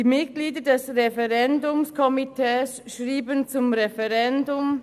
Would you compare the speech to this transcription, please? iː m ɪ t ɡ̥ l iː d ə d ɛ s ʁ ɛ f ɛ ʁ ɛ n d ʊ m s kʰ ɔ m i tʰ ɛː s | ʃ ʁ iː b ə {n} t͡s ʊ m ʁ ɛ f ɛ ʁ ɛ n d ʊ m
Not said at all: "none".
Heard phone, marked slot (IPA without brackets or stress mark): n